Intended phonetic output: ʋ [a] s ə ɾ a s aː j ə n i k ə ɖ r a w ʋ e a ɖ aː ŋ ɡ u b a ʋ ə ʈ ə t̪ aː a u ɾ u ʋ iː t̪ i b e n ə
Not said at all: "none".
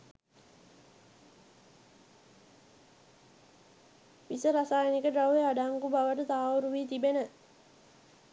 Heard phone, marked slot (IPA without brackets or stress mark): i